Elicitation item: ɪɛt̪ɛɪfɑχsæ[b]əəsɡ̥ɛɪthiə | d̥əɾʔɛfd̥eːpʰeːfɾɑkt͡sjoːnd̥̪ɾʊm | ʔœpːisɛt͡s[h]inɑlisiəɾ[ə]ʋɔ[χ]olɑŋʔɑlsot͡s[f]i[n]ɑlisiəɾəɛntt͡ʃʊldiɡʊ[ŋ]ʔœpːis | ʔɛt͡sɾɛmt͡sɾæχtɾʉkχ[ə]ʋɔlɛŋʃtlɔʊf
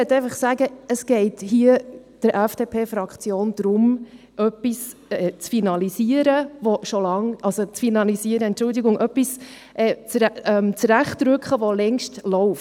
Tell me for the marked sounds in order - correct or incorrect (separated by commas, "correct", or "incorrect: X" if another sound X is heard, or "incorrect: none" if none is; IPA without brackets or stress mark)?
incorrect: ɡ, incorrect: f, correct, incorrect: ʃ, correct, correct, correct, correct